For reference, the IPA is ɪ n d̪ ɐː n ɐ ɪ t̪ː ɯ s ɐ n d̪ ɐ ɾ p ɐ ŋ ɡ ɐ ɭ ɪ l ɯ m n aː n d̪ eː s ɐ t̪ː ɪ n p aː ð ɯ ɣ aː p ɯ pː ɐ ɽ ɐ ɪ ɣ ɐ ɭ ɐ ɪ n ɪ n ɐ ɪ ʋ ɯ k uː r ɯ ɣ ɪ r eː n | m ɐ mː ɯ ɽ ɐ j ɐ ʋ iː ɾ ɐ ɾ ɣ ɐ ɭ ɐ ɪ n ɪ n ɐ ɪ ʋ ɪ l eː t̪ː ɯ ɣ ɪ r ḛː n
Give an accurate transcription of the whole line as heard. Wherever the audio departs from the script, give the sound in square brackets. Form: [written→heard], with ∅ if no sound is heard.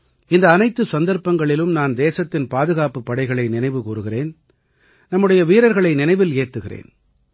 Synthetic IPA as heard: ɪ n d̪ ɐː n ɐ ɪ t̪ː ɯ s ɐ n d̪ ɐ ɾ p ɐ ŋ ɡ ɐ ɭ ɪ l ɯ m n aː n d̪ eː s ɐ t̪ː ɪ n p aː ð ɯ ɣ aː p ɯ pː ɐ ɽ ɐ ɪ ɣ ɐ ɭ ɐ ɪ n ɪ n ɐ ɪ ʋ ɯ k uː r ɯ ɣ ɪ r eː n | [m→n] ɐ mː ɯ ɽ ɐ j ɐ ʋ iː ɾ ɐ ɾ ɣ ɐ ɭ ɐ ɪ n ɪ n ɐ ɪ ʋ ɪ l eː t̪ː ɯ ɣ ɪ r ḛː n